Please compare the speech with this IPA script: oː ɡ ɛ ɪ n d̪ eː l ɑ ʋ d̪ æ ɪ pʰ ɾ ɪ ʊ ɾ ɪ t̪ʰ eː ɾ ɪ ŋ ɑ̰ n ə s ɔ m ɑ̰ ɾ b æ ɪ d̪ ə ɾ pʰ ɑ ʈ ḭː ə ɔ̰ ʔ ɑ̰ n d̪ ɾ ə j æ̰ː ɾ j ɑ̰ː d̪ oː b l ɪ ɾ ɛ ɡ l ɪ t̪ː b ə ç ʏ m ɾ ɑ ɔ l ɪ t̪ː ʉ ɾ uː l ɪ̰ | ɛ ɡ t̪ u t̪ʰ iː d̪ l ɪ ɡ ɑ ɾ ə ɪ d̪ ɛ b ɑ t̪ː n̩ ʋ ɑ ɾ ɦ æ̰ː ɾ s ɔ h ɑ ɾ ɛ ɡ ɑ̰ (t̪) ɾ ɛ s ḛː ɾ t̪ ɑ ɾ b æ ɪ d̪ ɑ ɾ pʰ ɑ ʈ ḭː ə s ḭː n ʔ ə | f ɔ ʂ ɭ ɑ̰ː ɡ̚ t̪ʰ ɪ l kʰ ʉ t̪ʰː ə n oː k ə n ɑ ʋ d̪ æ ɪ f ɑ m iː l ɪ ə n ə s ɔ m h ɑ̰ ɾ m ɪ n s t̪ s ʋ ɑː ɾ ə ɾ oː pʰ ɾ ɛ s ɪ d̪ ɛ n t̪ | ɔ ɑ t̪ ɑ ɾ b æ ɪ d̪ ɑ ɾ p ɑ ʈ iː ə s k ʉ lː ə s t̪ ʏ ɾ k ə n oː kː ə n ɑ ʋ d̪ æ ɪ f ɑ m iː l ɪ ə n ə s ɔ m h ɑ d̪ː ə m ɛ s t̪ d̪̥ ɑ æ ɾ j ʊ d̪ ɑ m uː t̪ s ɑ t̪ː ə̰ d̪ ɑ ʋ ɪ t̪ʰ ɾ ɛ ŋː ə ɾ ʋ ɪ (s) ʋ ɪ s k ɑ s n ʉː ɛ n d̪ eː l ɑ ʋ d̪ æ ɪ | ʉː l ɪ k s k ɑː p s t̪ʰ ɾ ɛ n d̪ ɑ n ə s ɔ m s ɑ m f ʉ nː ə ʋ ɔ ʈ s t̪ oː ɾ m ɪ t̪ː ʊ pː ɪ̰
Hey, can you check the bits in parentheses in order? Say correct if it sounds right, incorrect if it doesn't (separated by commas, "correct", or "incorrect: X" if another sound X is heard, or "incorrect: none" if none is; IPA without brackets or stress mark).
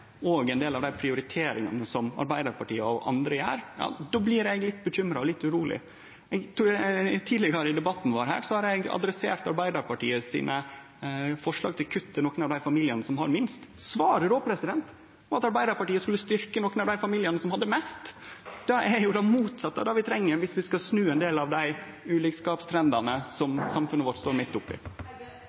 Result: incorrect: d̪, correct